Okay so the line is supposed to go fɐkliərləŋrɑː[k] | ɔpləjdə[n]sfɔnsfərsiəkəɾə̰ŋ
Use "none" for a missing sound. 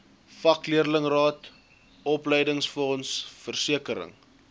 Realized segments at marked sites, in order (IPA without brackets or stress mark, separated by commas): t, ŋ